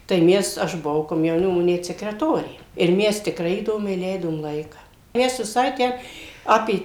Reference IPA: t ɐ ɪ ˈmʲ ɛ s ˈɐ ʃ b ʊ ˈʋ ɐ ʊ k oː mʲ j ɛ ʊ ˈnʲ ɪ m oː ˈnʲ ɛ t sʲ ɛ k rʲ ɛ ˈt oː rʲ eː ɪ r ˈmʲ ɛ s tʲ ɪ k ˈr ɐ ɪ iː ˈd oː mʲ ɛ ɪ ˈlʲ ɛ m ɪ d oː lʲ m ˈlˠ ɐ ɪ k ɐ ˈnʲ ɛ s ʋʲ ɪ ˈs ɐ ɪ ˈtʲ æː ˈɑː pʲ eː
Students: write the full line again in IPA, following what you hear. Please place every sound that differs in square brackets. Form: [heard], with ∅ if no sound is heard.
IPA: t ɐ ɪ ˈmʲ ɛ s ˈɐ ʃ b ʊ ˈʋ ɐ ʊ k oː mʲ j ɛ ʊ ˈnʲ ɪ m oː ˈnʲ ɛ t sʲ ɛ k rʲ ɛ ˈt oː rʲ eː ɪ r ˈmʲ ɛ s tʲ ɪ k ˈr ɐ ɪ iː ˈd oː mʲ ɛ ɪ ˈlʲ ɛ [∅] ɪ d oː [∅] m ˈlˠ ɐ ɪ k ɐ [ˈmʲ] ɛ s ʋʲ ɪ ˈs ɐ ɪ ˈtʲ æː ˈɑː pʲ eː